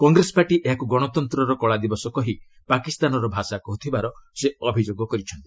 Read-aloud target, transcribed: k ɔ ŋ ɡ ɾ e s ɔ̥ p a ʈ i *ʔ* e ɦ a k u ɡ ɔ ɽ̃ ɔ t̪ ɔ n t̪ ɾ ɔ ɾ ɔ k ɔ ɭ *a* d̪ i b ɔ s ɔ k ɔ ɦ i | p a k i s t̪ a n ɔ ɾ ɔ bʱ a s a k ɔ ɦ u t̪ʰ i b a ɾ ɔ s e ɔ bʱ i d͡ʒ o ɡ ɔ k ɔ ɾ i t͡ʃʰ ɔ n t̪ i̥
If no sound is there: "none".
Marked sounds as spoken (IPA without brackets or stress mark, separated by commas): ʔ, a